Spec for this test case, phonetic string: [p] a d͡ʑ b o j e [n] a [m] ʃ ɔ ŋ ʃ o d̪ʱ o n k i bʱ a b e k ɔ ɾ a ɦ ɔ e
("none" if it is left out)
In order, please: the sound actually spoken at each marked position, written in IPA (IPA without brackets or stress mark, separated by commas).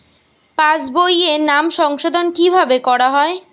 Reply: p, n, m